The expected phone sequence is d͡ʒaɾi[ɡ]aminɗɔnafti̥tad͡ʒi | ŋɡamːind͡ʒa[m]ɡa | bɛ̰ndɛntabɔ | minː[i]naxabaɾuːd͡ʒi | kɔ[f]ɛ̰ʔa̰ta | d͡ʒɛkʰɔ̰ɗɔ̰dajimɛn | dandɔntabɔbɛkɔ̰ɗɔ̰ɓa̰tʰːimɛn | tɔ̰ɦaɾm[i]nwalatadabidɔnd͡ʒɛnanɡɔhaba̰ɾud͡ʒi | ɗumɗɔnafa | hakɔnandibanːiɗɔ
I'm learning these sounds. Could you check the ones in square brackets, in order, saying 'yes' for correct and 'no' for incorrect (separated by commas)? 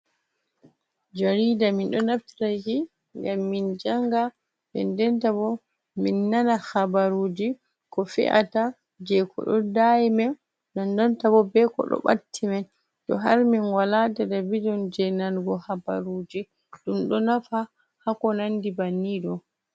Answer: no, no, no, yes, yes